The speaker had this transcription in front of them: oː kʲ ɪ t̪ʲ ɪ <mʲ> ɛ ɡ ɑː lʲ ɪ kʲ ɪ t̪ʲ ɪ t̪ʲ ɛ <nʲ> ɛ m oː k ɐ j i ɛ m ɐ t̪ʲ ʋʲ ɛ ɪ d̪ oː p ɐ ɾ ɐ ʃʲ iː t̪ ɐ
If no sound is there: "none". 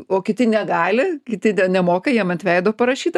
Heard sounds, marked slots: nʲ, nʲ

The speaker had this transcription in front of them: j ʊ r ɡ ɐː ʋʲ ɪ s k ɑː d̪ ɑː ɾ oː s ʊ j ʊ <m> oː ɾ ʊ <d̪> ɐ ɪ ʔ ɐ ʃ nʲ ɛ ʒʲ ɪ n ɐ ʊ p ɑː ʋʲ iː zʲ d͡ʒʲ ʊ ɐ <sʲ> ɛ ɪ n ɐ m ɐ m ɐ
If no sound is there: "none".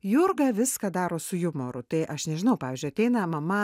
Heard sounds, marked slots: m, t̪, tʲ

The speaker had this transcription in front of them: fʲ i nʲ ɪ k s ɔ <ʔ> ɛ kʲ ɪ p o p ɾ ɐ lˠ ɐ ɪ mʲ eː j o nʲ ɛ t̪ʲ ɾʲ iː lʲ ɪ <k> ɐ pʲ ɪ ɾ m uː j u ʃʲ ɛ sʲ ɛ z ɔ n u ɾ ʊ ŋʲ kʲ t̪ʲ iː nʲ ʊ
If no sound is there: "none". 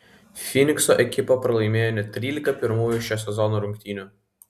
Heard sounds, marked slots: ʔ, k

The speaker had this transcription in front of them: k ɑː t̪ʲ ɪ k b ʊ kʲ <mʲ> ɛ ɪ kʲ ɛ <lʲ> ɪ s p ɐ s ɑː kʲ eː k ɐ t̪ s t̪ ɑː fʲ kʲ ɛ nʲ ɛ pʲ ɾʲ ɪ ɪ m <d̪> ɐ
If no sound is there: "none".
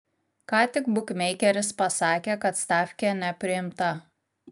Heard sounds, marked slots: mʲ, ɾʲ, t̪

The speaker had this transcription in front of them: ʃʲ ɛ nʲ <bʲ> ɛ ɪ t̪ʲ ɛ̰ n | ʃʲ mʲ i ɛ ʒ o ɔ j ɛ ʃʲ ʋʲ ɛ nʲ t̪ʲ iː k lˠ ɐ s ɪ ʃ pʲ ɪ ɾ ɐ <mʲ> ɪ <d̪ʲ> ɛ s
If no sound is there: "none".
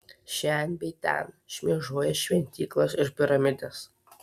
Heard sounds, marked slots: bʲ, mʲ, d̪ʲ

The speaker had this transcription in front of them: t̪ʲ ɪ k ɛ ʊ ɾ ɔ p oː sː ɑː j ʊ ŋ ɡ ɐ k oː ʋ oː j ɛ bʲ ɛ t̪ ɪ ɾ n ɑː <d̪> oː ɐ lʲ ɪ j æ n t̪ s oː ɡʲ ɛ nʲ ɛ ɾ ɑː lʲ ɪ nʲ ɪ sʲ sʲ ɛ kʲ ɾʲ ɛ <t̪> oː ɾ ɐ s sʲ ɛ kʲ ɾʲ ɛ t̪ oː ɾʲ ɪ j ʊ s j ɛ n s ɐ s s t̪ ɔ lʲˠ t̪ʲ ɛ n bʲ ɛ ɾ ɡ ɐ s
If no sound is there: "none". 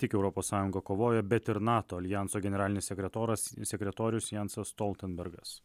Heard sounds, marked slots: t̪, t̪

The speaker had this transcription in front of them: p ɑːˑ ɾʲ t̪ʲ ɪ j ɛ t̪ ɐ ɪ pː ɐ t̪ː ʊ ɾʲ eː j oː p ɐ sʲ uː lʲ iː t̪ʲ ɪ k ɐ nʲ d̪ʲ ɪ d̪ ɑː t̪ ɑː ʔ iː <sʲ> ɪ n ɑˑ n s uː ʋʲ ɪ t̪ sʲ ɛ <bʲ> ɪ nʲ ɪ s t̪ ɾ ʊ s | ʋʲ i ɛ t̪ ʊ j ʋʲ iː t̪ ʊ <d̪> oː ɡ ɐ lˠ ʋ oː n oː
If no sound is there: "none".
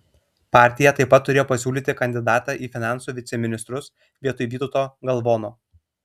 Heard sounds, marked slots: fʲ, mʲ, t̪

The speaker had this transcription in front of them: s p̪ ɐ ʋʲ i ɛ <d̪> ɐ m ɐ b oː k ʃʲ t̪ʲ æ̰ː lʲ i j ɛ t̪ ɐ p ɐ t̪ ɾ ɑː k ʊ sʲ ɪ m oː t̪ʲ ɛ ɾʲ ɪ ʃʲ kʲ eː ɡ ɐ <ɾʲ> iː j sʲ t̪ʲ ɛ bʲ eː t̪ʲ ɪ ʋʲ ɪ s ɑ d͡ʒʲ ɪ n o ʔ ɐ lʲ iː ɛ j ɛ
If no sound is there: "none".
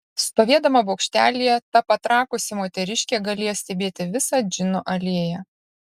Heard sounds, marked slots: d̪, lʲ

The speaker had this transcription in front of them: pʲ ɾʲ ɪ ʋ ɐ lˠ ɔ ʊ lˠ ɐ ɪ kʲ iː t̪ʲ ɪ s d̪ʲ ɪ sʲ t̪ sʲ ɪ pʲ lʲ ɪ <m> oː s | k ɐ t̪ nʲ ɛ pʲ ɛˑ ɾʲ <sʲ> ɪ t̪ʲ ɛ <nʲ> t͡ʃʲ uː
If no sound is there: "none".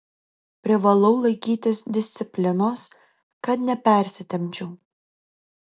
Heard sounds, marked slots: n, sʲ, mʲ

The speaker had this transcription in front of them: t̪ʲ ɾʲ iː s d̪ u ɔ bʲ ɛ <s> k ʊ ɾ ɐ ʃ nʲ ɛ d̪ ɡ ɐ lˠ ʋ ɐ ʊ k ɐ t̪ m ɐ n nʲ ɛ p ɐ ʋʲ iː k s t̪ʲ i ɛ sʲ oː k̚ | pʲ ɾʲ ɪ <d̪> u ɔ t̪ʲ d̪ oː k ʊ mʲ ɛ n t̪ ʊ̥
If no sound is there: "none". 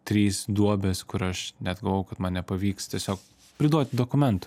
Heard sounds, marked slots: s, d̪

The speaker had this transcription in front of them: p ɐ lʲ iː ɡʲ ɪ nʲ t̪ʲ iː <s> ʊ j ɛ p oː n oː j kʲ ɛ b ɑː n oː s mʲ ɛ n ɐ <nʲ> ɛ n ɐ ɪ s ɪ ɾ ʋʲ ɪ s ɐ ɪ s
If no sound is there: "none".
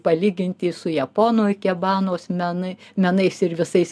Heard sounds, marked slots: s, mʲ

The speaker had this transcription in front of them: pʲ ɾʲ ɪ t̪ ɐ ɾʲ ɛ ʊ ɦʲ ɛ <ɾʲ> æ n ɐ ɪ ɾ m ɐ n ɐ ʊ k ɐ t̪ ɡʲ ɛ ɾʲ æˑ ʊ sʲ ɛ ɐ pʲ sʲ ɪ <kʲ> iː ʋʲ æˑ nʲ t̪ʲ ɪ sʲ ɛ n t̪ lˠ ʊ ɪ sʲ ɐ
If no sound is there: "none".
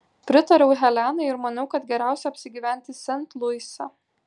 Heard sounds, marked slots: lʲ, ɡʲ

